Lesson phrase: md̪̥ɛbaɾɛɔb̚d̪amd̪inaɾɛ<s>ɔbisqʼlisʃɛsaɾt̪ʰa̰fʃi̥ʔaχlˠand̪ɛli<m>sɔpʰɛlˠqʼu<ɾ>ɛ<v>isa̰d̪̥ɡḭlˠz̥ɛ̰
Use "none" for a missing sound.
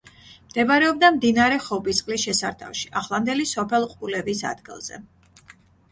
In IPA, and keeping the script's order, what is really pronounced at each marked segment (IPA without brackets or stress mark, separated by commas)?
χ, none, l, v